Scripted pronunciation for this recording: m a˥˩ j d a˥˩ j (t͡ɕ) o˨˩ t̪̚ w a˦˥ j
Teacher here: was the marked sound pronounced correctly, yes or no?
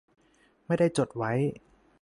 yes